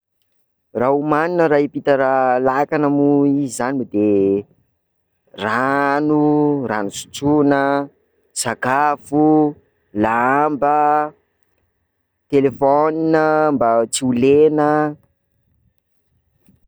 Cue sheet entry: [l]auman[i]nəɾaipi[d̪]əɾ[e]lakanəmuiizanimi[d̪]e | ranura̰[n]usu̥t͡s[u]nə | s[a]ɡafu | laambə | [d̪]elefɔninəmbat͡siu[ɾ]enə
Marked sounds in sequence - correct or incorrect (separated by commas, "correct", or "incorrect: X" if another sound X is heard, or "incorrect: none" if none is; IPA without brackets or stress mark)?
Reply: incorrect: r, correct, incorrect: t̪, incorrect: a, correct, correct, correct, correct, incorrect: t̪, incorrect: l